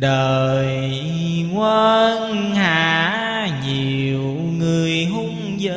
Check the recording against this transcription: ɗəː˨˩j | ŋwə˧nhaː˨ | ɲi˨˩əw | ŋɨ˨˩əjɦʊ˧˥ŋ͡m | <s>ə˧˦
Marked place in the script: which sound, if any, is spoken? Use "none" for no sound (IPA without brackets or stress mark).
z